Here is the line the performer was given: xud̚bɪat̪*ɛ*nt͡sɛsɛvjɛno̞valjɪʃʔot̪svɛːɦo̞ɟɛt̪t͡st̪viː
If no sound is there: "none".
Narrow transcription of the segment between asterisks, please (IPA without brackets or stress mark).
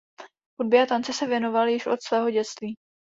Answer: a